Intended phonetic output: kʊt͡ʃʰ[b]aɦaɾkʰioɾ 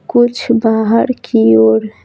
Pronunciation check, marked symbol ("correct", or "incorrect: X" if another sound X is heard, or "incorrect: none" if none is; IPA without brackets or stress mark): correct